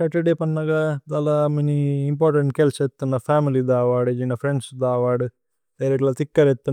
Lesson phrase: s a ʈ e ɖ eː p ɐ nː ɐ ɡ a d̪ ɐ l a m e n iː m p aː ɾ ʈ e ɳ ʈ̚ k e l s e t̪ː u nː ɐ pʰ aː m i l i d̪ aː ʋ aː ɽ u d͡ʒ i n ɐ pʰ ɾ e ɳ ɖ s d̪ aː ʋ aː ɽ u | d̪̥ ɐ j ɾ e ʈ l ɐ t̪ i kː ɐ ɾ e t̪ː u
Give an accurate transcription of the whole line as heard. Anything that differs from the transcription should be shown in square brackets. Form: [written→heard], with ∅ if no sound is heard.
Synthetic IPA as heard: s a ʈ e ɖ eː p ɐ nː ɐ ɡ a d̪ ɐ l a m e n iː m p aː ɾ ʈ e ɳ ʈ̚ k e l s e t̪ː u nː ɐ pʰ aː m i l i d̪ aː ʋ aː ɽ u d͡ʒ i n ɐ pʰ ɾ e ɳ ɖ s d̪ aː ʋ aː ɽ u | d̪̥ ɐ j ɾ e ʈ l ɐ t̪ i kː ɐ ɾ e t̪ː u